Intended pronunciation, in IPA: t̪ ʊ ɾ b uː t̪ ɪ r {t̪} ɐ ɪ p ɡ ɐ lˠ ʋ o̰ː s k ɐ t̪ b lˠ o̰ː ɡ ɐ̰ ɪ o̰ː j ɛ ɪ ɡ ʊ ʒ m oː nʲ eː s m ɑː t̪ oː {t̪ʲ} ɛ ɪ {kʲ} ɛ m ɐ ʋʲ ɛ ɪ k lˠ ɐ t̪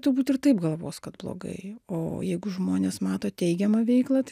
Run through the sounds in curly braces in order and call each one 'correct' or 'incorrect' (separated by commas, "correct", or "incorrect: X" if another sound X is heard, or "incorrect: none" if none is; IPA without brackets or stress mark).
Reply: correct, correct, incorrect: ɡʲ